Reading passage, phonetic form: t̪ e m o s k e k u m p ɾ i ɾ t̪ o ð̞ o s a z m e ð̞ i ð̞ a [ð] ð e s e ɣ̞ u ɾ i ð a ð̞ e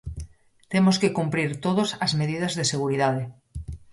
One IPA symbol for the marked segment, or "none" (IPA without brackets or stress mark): z